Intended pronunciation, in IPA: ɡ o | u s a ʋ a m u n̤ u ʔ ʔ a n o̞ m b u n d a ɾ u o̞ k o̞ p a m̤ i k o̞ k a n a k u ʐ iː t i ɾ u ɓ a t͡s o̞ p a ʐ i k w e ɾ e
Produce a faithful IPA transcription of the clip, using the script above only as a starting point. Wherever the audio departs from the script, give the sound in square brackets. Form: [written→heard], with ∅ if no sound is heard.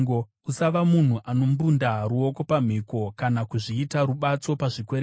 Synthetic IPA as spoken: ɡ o | u s a ʋ a m u n̤ u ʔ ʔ a n o̞ m b u n d a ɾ u o̞ k o̞ p a m̤ i k o̞ k a n a k u ʐ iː t [i→a] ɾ u ɓ a t͡s o̞ p a ʐ i k w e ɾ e